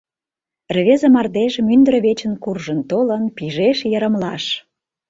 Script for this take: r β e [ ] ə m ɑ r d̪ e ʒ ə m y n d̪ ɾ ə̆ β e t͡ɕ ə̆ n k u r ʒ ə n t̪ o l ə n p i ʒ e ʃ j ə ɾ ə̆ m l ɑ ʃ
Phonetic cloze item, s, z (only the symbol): z